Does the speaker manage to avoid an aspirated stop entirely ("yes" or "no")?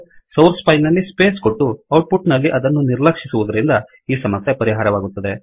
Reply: yes